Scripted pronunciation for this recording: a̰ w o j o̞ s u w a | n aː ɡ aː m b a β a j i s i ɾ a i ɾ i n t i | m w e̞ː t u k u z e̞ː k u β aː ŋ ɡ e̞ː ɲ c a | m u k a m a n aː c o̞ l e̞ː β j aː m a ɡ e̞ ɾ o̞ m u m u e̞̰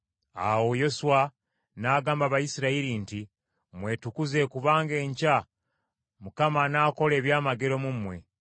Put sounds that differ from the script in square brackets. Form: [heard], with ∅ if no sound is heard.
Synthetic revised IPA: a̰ w o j o̞ s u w a | n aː ɡ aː m b a β a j i s i ɾ a i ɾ i n t i | m w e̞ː t u k u z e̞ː k u β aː ŋ ɡ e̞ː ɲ c a | m u k a m a n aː [k] o̞ l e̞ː β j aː m a ɡ e̞ ɾ o̞ m u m [w] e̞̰